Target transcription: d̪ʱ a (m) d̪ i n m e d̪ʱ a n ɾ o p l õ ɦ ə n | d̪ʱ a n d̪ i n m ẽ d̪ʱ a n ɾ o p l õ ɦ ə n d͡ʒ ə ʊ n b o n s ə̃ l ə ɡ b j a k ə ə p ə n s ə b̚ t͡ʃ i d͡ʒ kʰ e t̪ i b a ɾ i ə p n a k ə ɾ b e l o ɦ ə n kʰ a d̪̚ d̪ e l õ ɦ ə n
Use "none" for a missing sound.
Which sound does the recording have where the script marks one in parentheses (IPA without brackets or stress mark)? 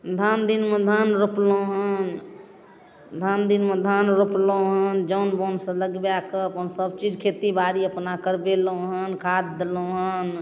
n